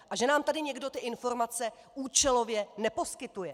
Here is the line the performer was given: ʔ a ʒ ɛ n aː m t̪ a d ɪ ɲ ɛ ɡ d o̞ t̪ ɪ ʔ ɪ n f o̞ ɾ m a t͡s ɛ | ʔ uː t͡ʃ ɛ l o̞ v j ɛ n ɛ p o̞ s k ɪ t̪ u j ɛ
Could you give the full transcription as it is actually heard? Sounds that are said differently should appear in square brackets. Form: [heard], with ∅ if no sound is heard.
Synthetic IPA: ʔ a ʒ ɛ n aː m t̪ a d ɪ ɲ ɛ ɡ d o̞ t̪ ɪ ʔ ɪ n f o̞ ɾ m a t͡s ɛ | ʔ uː t͡ʃ ɛ l o̞ v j ɛ n ɛ p o̞ s k ɪ t̪ u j ɛ